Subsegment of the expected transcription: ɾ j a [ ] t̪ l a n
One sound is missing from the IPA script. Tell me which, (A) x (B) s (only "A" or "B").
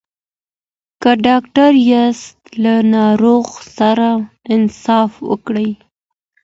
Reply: B